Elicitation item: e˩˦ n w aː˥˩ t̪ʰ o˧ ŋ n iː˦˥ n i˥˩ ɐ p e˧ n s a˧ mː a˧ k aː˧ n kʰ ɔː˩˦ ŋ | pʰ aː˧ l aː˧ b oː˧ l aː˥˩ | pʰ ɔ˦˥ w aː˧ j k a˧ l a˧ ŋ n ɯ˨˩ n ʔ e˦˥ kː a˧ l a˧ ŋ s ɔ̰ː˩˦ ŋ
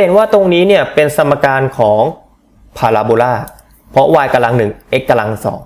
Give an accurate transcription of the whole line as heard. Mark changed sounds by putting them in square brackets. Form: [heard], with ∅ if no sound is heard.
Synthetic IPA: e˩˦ n w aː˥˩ [t̪] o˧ ŋ n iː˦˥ n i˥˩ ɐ p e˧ n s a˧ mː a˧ k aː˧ n kʰ ɔː˩˦ ŋ | pʰ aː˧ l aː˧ b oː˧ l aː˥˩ | pʰ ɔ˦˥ w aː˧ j k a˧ l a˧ ŋ n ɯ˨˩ [ŋ] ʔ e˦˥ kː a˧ l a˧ ŋ s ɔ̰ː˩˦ ŋ